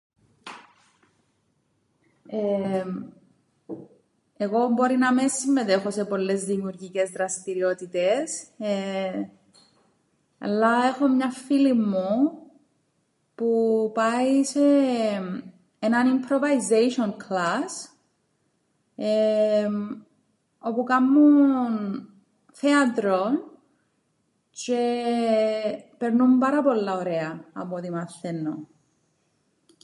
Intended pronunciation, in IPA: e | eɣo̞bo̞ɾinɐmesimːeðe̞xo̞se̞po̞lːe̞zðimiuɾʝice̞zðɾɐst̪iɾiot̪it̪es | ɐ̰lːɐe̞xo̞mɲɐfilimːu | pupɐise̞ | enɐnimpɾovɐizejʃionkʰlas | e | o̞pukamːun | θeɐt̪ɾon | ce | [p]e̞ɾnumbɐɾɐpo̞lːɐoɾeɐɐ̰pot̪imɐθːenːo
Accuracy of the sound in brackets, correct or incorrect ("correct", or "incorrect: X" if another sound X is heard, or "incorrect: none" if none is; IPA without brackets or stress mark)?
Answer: correct